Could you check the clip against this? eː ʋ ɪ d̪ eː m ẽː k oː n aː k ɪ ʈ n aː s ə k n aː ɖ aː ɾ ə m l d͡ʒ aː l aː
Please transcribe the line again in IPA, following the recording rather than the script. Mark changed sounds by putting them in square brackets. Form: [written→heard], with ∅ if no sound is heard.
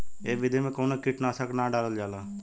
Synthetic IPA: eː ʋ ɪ d̪ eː m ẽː k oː n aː k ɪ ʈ n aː s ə k n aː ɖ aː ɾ ə [m→∅] l d͡ʒ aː l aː